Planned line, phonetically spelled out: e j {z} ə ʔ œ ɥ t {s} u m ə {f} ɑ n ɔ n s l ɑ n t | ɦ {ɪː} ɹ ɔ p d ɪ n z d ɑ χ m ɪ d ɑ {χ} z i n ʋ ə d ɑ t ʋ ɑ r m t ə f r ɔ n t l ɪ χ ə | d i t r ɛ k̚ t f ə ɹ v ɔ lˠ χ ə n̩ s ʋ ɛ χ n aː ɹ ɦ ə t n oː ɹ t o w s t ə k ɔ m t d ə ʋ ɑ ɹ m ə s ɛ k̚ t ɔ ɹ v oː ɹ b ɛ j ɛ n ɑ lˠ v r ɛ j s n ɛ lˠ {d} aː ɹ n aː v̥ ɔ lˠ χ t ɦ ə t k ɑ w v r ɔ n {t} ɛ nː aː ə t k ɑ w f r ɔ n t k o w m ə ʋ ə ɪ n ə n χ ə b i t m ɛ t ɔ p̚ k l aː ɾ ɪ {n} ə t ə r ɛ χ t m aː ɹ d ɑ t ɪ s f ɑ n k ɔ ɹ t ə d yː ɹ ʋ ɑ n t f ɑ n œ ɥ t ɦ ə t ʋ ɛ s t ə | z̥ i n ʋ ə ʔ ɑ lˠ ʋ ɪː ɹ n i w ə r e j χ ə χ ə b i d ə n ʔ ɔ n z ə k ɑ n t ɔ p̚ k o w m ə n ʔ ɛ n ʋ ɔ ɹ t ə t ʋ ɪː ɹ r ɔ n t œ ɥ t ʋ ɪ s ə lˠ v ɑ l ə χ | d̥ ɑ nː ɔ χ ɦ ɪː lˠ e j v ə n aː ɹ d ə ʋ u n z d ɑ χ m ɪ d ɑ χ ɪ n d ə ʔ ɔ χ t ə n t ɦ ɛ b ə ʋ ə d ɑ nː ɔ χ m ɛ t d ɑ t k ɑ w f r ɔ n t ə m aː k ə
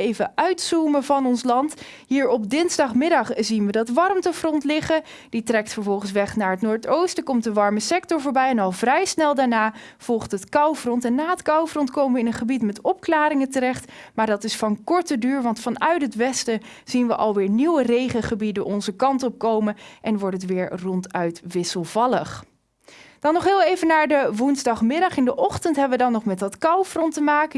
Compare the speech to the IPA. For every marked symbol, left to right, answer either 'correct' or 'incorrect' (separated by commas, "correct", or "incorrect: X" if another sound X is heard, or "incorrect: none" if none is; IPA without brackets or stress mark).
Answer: incorrect: v, correct, incorrect: v, incorrect: iː, correct, correct, correct, incorrect: ŋ